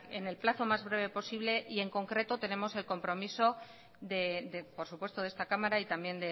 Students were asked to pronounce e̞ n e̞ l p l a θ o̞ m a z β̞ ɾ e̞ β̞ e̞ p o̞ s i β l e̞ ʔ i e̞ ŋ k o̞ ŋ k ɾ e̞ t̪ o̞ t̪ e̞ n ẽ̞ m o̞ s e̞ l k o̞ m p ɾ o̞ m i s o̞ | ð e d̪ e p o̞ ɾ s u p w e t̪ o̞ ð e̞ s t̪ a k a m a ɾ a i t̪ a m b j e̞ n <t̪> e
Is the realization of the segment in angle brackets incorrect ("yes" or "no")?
yes